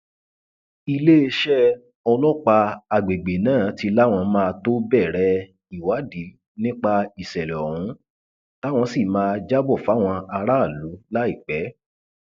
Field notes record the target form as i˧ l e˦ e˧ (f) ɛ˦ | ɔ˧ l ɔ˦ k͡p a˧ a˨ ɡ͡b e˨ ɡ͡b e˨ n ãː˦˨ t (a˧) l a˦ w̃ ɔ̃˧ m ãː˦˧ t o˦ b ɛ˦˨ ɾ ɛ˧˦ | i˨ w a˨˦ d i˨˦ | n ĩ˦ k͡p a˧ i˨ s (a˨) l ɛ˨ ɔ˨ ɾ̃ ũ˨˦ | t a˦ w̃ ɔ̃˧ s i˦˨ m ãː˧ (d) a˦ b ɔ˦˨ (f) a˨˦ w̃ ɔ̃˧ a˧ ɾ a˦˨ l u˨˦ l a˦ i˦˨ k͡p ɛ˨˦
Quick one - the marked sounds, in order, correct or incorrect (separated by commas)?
incorrect, incorrect, incorrect, incorrect, correct